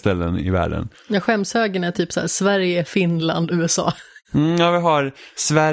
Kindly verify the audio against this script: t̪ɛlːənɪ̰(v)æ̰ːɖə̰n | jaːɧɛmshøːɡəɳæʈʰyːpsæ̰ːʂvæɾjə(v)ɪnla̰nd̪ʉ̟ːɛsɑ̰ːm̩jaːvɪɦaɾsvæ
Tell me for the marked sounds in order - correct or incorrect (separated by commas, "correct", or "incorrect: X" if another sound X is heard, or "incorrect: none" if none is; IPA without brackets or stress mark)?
correct, incorrect: f